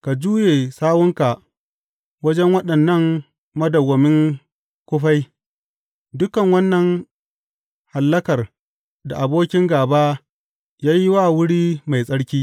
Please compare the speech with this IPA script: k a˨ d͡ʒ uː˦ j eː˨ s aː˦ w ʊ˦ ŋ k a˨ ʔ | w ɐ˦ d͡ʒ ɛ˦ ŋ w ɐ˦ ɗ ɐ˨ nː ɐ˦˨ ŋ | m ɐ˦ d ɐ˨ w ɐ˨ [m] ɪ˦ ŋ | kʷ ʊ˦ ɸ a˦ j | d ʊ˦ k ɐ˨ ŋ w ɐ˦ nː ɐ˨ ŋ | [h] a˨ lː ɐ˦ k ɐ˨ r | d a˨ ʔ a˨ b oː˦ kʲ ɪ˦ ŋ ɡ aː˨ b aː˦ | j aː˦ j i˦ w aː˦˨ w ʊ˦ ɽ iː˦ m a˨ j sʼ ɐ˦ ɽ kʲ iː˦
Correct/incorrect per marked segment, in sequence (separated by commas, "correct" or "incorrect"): correct, correct